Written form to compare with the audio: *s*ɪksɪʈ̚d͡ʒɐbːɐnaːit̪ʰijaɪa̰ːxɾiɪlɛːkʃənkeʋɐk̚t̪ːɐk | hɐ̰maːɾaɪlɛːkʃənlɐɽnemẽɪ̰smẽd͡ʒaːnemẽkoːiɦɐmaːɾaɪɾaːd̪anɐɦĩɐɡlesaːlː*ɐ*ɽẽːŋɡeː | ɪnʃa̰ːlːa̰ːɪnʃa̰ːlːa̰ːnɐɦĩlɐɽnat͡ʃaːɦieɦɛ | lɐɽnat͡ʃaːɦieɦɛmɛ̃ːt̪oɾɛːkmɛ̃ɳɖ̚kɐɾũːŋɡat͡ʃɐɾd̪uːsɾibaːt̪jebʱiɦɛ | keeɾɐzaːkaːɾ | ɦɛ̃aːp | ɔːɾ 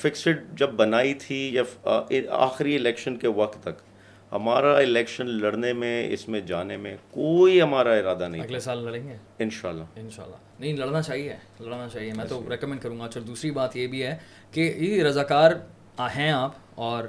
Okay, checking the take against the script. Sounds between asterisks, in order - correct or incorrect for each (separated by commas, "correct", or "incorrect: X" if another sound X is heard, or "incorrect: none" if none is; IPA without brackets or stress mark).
incorrect: f, correct